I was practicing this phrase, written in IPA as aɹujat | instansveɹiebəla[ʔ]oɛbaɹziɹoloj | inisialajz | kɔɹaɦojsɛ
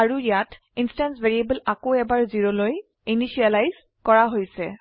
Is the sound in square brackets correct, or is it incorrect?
incorrect